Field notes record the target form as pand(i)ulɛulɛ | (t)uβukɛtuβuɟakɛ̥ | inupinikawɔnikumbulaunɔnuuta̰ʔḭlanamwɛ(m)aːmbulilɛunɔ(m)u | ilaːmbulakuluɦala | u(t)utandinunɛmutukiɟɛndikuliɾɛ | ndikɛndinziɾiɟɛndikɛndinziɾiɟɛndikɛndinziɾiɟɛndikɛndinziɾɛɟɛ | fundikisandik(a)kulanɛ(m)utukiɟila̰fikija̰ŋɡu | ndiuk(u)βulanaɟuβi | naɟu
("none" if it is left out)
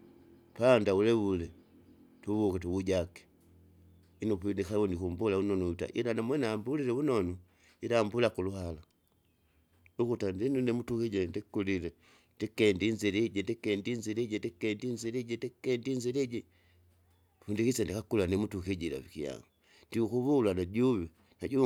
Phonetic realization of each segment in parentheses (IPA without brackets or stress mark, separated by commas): a, t, n, n, k, a, m, u